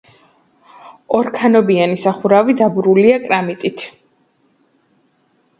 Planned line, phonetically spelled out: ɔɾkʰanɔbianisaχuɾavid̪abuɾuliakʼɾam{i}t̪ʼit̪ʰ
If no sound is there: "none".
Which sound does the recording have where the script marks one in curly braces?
i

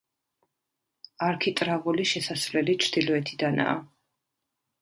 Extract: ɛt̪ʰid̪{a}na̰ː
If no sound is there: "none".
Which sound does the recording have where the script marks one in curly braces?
a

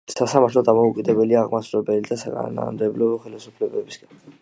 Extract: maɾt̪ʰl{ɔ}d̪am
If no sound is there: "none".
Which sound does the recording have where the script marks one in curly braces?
ɔ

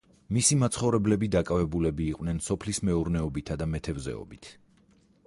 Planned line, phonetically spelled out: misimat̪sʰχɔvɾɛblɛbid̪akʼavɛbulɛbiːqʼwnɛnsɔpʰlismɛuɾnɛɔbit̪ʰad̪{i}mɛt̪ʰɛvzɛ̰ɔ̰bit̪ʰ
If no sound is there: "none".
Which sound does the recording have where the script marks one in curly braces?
a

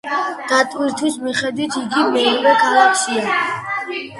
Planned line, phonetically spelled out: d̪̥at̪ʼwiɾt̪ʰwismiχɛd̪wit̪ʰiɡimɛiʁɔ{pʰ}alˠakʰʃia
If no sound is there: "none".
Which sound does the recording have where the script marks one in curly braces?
kʰ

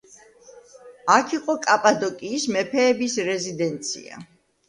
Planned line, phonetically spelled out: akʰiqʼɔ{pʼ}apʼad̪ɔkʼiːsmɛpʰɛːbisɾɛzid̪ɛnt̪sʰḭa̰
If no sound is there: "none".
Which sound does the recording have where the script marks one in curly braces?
kʼ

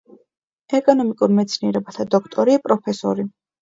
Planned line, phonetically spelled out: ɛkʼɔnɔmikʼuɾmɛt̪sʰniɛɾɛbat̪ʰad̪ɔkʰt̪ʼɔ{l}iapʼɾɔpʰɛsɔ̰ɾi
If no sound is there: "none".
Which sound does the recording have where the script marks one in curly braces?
ɾ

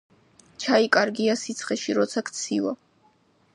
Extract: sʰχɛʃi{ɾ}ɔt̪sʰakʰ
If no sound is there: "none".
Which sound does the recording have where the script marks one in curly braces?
ɾ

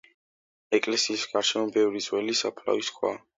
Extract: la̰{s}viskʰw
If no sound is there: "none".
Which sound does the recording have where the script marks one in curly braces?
none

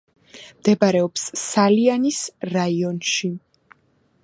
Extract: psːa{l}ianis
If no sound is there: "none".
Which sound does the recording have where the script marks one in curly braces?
l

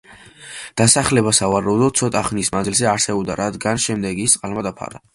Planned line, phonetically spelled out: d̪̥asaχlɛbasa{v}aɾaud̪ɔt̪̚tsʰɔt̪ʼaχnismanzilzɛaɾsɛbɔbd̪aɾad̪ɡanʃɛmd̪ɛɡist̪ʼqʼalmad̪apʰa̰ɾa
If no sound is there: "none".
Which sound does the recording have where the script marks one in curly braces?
v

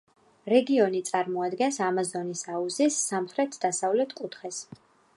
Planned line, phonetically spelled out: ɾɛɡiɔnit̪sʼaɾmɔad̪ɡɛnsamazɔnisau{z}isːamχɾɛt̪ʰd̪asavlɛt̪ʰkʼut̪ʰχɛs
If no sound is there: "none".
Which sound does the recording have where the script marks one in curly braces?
z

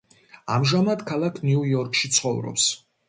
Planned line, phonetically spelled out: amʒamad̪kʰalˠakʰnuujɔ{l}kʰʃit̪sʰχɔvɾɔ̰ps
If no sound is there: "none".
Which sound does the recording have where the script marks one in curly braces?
ɾ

